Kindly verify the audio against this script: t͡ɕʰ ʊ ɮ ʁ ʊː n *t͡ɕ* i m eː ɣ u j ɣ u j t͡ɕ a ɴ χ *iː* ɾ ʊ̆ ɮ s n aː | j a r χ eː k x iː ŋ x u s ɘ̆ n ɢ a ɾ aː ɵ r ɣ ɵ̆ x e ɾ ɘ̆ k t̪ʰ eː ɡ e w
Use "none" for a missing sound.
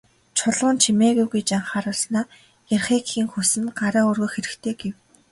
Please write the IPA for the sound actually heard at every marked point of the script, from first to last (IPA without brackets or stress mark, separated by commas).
t͡ɕʰ, aː